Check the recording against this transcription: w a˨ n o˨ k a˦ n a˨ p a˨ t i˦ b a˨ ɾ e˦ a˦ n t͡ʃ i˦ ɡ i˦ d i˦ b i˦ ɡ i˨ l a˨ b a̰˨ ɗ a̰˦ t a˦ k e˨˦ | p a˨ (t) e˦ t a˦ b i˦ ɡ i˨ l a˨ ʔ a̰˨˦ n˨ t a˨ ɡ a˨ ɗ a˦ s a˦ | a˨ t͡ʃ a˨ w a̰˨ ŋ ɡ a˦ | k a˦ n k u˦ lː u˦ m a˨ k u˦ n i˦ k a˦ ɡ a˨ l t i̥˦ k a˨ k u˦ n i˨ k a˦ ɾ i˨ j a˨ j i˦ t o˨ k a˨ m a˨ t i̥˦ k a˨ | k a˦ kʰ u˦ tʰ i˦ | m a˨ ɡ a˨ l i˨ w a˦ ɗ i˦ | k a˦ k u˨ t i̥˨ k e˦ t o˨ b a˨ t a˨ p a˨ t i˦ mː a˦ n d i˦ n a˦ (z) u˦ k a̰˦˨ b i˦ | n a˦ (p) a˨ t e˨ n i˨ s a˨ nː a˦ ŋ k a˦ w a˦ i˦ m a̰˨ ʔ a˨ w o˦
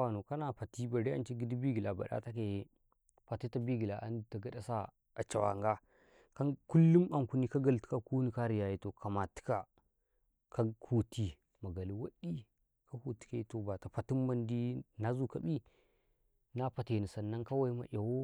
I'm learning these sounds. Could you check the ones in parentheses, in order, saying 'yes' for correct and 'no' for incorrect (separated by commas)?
yes, yes, yes